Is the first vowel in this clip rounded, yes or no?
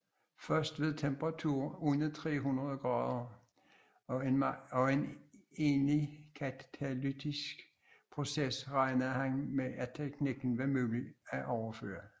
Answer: yes